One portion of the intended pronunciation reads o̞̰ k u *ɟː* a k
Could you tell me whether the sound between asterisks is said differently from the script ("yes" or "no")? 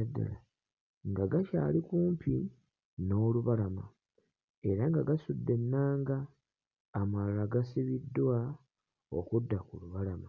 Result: yes